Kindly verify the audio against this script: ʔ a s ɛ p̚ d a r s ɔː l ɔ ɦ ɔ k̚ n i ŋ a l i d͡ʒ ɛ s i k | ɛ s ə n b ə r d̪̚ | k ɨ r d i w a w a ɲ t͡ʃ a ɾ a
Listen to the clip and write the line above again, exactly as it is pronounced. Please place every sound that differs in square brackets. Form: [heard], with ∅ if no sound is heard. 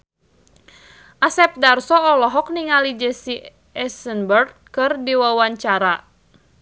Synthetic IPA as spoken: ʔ a s ɛ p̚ d a r s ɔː l ɔ ɦ ɔ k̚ n i ŋ a l i d͡ʒ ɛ s i [∅] | ɛ s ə n b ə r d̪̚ | k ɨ r d i w a w a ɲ t͡ʃ a ɾ a